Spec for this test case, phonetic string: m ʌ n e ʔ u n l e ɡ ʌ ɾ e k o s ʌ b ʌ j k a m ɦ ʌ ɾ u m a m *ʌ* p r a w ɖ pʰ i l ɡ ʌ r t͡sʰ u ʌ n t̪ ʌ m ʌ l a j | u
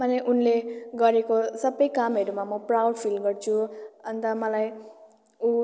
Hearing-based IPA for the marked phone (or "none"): ʌ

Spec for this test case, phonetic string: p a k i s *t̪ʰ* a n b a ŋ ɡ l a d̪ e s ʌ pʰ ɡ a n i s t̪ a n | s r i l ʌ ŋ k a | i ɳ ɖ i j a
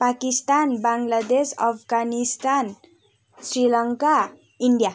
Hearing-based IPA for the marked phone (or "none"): t̪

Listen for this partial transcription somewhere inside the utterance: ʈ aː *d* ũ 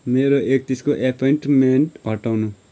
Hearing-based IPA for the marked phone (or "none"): n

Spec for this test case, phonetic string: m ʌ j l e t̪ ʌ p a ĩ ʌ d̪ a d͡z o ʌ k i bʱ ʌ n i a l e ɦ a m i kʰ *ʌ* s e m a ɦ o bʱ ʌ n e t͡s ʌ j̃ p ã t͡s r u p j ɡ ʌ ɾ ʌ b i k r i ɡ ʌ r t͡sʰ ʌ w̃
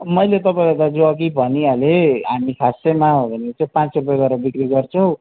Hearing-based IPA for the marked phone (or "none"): a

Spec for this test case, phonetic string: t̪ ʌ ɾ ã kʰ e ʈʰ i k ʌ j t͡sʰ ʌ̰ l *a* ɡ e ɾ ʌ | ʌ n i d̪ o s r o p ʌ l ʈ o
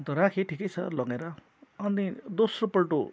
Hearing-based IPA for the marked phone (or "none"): ʌ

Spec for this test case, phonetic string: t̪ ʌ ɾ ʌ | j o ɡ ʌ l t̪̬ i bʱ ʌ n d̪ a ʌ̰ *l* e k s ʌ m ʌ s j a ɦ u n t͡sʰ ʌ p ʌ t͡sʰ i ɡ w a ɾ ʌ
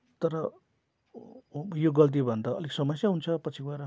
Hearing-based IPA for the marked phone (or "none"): l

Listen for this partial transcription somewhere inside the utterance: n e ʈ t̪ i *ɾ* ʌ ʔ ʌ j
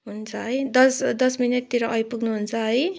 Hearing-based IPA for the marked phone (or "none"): ɾ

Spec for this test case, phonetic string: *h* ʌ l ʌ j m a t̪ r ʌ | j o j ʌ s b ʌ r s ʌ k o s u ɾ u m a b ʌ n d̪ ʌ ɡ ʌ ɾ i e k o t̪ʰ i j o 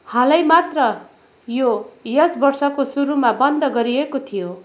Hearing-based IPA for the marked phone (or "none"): h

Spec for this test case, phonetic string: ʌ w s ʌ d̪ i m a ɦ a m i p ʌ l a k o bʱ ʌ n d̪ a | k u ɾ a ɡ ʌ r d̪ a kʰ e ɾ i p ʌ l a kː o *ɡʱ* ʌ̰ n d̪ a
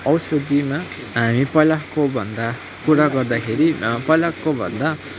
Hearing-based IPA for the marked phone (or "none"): bʱ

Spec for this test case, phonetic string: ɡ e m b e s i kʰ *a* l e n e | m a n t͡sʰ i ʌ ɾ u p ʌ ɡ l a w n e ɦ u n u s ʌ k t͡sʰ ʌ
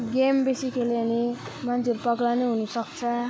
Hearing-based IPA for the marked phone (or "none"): e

